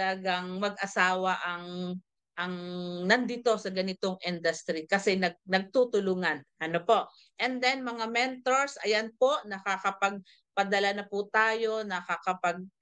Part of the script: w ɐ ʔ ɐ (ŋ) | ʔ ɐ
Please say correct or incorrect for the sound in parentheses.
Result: correct